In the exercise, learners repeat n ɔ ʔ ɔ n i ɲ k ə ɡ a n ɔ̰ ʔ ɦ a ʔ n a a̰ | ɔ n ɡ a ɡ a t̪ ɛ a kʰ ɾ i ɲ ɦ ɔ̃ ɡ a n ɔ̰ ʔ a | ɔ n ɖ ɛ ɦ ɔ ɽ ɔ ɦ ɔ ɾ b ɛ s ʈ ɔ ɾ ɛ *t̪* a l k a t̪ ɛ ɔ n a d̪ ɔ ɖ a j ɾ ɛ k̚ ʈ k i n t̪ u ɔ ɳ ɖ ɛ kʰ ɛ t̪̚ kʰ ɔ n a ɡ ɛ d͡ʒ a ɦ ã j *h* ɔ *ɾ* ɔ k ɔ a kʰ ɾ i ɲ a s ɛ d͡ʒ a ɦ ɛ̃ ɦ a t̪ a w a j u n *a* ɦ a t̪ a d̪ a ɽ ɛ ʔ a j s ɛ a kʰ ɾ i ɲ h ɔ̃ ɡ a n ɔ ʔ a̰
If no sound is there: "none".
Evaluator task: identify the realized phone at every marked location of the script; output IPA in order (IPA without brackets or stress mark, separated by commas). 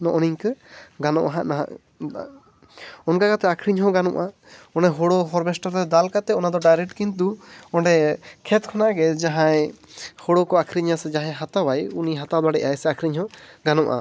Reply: d̪, h, ɽ, i